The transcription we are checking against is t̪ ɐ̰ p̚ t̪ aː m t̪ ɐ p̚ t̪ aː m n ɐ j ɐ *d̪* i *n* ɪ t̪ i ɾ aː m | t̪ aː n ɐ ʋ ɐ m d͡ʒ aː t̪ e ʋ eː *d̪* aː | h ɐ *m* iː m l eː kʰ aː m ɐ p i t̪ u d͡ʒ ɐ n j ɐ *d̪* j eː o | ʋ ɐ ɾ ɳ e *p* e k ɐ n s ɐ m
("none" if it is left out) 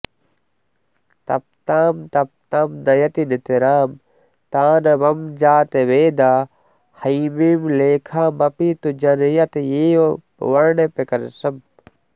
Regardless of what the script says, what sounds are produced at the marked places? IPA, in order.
t̪, n, d̪, m, t̪, p

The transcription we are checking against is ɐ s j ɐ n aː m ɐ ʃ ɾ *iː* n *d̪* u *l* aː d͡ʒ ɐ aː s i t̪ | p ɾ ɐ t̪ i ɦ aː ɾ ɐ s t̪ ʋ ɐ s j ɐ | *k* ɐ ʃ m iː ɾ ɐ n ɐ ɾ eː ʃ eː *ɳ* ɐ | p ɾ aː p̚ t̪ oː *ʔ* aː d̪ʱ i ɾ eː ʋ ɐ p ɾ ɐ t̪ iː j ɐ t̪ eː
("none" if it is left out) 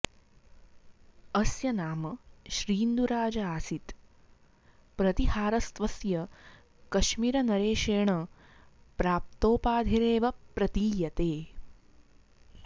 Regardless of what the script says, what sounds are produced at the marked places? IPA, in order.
iː, d̪, ɾ, k, ɳ, p

